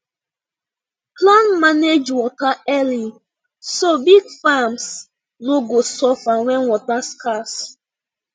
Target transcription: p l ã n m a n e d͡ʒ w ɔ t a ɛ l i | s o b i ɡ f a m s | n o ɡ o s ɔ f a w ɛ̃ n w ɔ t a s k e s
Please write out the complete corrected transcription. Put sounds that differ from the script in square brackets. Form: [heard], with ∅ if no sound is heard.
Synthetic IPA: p l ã n m a n e d͡ʒ w ɔ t a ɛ l i | s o b i ɡ f a m s | n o ɡ o s ɔ f a w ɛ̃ n w ɔ t a s k [a] s